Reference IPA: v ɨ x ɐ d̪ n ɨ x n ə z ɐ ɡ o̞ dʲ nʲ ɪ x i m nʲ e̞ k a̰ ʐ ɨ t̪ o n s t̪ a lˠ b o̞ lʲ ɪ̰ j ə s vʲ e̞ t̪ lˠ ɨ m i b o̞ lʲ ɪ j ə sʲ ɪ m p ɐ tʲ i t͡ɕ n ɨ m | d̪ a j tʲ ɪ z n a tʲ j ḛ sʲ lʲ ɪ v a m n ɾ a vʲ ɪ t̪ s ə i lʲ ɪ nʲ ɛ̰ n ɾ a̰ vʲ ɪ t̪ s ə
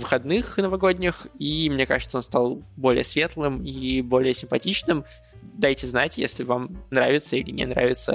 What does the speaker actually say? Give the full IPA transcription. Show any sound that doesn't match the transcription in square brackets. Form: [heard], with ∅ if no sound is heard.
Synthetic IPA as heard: v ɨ x ɐ d̪ n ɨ x n ə [v] ɐ ɡ o̞ dʲ nʲ ɪ x i m nʲ e̞ k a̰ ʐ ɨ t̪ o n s t̪ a lˠ b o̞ lʲ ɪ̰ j ə s vʲ e̞ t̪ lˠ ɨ m i b o̞ lʲ ɪ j ə sʲ ɪ m p ɐ tʲ i t͡ɕ n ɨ m | d̪ a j tʲ ɪ z n a tʲ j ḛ sʲ lʲ ɪ v a m n ɾ a vʲ ɪ t̪ s ə i lʲ ɪ nʲ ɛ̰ n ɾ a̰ vʲ ɪ t̪ s ə